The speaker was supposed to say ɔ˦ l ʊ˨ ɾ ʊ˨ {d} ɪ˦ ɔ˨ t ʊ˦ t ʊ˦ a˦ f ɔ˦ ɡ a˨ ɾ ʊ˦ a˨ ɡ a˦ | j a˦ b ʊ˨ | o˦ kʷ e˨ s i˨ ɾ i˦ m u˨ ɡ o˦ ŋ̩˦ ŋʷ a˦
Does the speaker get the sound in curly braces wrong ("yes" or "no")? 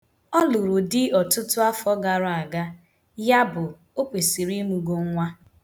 no